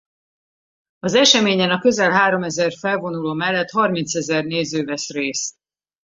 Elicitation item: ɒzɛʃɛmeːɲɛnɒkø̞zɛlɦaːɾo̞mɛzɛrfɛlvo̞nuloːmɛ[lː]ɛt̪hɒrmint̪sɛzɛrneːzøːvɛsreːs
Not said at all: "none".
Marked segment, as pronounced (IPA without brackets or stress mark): lː